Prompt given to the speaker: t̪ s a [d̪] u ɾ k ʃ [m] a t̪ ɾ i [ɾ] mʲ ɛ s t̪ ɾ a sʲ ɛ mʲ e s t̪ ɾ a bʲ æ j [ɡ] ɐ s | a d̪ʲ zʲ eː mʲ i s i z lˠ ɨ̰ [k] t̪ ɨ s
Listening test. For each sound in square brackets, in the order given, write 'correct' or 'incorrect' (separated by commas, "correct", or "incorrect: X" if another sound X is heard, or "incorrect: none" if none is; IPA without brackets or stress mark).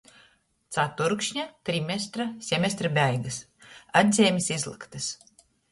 incorrect: t̪, incorrect: ɲ, incorrect: none, correct, correct